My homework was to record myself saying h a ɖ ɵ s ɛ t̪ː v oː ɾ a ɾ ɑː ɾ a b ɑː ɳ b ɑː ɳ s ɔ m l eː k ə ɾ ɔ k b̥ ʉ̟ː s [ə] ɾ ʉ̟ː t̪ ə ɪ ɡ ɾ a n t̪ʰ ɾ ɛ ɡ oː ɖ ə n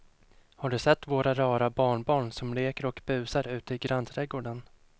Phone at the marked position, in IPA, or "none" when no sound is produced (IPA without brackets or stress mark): a